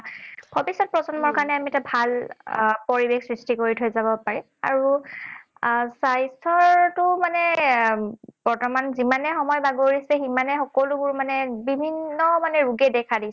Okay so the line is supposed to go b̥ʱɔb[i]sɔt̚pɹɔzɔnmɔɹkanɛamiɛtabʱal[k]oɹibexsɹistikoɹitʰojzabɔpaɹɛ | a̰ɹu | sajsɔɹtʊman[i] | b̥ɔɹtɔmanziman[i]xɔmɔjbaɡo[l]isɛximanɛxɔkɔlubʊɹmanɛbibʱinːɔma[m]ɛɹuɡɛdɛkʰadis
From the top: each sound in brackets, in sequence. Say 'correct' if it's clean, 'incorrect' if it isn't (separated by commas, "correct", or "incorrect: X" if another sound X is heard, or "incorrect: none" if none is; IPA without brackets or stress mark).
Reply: correct, incorrect: p, incorrect: ɛ, incorrect: ɛ, incorrect: ɹ, incorrect: n